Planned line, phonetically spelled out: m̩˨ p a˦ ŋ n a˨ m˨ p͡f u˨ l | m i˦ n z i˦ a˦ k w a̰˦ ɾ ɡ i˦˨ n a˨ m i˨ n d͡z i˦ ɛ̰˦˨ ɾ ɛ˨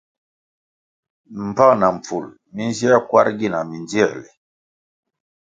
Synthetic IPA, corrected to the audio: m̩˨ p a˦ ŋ n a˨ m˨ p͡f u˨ l | m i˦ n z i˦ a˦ k w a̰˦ ɾ ɡ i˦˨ n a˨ m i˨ n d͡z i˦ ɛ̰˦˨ l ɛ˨